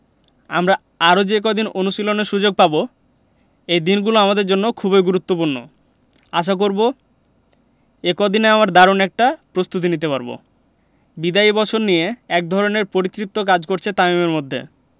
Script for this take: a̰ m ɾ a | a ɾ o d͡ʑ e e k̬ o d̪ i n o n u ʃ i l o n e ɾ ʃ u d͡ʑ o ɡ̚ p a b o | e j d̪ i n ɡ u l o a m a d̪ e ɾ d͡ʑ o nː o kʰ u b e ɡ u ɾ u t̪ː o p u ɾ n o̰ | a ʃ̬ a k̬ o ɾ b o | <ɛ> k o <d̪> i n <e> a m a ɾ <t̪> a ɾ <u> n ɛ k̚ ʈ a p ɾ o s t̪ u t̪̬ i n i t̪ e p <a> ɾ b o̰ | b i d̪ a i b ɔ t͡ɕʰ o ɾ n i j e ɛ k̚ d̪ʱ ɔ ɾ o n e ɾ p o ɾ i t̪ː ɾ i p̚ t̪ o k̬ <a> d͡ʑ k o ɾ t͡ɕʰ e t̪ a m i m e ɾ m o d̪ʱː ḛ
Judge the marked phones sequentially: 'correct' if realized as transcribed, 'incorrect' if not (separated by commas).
incorrect, correct, correct, incorrect, incorrect, correct, correct